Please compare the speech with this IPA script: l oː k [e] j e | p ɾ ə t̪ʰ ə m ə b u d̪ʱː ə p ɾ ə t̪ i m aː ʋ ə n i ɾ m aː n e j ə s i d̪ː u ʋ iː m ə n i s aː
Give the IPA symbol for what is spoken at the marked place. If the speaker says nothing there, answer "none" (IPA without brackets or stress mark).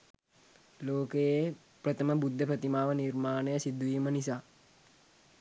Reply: e